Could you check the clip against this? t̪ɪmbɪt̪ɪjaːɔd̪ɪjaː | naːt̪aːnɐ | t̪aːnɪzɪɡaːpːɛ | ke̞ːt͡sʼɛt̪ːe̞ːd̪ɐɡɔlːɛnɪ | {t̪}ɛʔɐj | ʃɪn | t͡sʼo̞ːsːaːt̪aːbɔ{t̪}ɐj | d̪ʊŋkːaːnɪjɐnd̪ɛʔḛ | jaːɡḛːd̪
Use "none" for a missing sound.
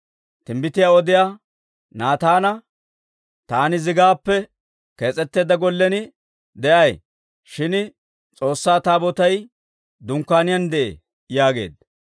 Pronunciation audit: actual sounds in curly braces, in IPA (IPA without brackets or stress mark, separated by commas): d̪, t̪